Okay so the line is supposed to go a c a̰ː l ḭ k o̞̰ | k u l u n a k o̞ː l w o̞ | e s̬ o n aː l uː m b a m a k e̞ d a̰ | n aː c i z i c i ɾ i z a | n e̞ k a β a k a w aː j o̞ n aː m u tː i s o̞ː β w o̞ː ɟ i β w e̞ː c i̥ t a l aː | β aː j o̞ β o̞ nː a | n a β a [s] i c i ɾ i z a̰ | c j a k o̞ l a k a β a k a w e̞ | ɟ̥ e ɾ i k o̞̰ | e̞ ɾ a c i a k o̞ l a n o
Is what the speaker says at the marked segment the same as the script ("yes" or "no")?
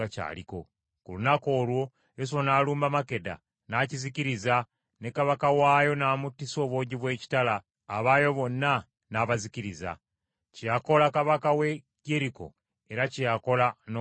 no